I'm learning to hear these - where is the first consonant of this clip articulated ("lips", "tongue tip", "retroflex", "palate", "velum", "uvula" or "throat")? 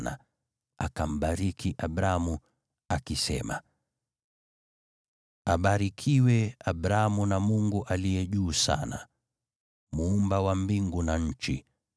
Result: tongue tip